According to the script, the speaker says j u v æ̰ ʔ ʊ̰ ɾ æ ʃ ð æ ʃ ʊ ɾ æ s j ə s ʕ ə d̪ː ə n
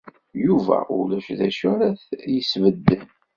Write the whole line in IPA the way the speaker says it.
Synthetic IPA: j u v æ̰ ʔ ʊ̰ l æ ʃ ð æ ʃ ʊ ɾ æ θ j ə s v ə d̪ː ə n